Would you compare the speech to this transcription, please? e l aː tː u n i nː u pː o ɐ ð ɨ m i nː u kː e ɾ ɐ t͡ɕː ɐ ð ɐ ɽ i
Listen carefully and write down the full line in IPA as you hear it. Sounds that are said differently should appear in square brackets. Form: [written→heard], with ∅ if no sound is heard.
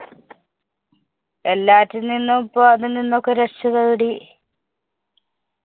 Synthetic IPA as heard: e [l→lː] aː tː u n i nː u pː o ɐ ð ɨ [m→n] i nː [u→o] kː e ɾ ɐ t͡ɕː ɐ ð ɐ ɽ i